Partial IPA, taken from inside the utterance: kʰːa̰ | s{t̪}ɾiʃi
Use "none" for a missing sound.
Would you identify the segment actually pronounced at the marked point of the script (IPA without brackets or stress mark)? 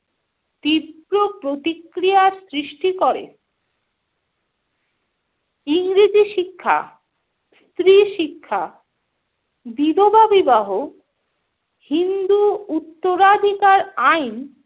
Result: t̪